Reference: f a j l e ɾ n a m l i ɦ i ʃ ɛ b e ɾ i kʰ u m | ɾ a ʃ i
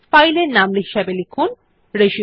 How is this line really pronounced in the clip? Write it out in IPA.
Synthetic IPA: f a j l e ɾ n a m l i ɦ i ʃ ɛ b e l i kʰ u n | ɾ e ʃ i